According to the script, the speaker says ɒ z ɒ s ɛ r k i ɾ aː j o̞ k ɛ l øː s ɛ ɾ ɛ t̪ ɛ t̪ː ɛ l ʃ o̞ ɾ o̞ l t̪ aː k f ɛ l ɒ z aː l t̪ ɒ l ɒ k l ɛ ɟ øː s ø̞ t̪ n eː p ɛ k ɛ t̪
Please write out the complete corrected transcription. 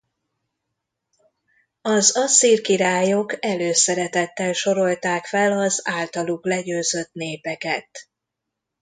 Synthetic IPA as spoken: ɒ z ɒ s i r k i ɾ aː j o̞ k ɛ l øː s ɛ ɾ ɛ t̪ ɛ t̪ː ɛ l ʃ o̞ ɾ o̞ l t̪ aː k f ɛ l ɒ z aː l t̪ ɒ l u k l ɛ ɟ øː z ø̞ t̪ n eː p ɛ k ɛ t̪